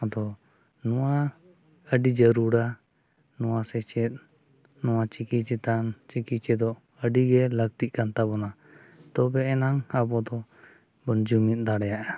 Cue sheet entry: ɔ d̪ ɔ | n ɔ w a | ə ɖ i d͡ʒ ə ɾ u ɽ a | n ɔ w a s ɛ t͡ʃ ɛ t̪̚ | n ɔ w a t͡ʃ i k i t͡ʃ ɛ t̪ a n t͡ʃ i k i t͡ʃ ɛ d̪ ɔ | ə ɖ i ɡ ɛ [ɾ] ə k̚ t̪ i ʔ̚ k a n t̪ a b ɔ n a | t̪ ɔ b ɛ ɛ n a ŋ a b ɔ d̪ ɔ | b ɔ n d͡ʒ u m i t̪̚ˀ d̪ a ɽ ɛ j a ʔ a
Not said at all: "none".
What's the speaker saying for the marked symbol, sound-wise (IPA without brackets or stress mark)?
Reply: l